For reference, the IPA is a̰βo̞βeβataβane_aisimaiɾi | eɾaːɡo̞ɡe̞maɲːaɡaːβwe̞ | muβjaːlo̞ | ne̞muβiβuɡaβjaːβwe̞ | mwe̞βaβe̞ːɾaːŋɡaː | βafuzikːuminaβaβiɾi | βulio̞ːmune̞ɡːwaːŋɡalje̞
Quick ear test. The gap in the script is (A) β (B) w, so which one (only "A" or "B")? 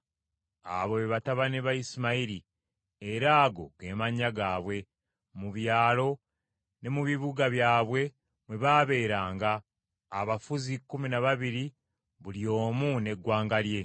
A